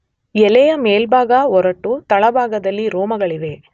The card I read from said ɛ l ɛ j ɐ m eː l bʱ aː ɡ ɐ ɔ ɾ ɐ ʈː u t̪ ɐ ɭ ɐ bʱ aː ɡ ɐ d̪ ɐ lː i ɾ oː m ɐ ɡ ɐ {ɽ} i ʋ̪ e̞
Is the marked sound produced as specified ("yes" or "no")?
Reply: no